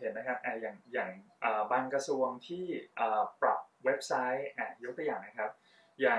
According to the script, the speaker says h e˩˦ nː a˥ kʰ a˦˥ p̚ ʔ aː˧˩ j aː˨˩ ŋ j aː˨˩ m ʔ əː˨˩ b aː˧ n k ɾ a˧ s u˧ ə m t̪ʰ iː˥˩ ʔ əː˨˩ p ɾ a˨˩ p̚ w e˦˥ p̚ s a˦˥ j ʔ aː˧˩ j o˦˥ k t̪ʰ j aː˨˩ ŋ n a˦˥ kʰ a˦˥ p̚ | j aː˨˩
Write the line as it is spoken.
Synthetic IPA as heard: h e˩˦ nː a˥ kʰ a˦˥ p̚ ʔ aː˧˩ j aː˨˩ ŋ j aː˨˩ ŋ ʔ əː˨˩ b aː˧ n k ɾ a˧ s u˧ ə ŋ t̪ʰ iː˥˩ ʔ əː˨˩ p ɾ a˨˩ p̚ w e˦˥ p̚ s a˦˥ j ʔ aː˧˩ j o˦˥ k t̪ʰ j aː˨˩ ŋ n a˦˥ kʰ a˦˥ p̚ | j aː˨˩